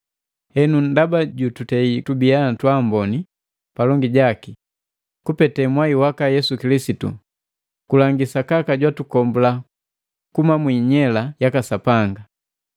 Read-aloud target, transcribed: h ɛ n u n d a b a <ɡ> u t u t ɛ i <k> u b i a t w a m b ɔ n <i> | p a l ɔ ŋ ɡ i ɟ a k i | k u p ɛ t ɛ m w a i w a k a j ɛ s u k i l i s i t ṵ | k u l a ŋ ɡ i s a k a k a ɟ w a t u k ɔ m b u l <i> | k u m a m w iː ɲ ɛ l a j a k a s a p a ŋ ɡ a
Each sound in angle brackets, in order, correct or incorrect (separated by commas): incorrect, incorrect, correct, incorrect